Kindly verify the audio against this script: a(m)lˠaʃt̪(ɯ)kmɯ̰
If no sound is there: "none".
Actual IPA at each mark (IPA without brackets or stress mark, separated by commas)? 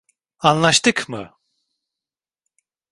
n, ɯ